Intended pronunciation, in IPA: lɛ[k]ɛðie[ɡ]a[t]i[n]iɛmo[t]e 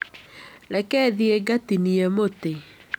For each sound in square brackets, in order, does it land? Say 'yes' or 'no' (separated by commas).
yes, yes, yes, yes, yes